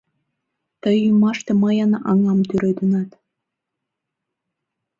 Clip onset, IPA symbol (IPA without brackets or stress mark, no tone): t̪